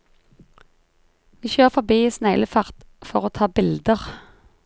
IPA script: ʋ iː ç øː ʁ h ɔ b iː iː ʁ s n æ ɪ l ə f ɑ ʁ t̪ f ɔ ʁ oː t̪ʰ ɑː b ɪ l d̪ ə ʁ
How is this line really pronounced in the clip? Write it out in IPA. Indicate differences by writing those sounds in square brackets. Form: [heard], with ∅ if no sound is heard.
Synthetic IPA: ʋ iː ç øː ʁ [f] ɔ b iː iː [∅] s n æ ɪ l ə f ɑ ʁ t̪ f ɔ ʁ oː t̪ʰ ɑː b ɪ l d̪ ə ʁ

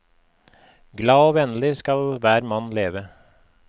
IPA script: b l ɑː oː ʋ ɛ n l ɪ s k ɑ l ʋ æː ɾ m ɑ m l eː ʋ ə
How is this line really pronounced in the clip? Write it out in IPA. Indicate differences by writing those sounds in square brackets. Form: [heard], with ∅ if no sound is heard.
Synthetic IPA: [ɡ] l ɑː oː ʋ ɛ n l ɪ s k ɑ l ʋ æː ɾ m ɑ [n] l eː ʋ ə

